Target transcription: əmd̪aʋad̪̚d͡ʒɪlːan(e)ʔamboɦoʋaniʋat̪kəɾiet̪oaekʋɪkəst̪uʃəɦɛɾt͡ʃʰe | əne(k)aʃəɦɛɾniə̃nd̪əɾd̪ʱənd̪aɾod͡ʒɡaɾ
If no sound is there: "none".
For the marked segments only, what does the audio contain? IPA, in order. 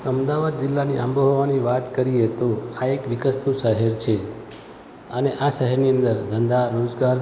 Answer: i, ʔ

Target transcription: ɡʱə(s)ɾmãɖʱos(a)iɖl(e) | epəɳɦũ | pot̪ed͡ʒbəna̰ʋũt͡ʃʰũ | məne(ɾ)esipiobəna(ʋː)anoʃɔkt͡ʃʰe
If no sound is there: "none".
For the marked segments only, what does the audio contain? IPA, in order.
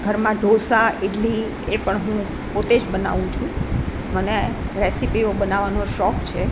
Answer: none, a, i, ɾ, ʋ

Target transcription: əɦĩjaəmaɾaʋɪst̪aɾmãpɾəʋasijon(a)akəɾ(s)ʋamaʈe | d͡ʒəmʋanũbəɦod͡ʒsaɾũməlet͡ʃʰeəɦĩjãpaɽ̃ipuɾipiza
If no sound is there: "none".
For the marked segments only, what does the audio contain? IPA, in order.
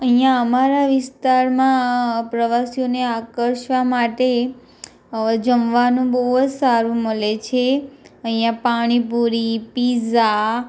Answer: e, ʃ

